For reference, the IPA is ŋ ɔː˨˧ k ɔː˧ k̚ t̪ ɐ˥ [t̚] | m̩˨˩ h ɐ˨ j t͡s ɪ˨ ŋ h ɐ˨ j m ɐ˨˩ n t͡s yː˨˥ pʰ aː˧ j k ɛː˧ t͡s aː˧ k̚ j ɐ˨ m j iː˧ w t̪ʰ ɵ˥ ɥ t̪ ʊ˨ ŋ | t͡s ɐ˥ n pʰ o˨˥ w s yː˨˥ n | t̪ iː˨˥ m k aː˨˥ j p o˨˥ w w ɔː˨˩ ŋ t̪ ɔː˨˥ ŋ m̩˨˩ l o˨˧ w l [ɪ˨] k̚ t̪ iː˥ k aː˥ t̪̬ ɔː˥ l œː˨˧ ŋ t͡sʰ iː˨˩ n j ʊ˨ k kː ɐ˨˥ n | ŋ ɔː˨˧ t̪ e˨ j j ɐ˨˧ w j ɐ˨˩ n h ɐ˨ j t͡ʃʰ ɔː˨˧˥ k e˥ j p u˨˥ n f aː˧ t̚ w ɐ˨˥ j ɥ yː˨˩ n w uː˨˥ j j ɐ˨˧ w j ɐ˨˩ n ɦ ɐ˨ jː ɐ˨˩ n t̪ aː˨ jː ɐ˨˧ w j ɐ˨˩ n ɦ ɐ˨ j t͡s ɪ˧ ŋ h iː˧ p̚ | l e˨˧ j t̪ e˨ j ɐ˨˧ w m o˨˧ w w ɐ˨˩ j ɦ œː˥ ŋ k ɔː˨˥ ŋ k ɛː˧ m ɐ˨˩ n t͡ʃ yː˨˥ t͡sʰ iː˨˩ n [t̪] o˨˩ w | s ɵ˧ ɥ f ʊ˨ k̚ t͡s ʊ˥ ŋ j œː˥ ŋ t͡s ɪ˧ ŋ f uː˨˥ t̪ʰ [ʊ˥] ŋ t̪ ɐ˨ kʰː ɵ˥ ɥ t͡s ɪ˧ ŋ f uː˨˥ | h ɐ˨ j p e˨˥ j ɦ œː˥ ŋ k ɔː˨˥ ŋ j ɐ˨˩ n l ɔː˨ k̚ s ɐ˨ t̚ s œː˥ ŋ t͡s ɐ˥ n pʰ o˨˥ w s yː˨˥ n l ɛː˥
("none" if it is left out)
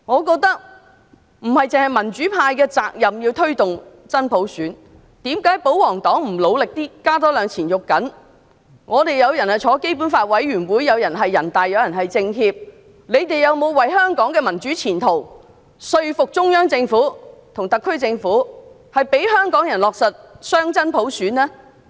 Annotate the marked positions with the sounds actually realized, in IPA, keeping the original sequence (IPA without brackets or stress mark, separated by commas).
k̚, ɪ˨, t̪ʰ, ʊ˨˩